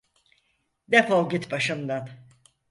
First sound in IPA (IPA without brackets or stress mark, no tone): d̪